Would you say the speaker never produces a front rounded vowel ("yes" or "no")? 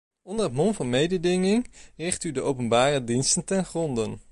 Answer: no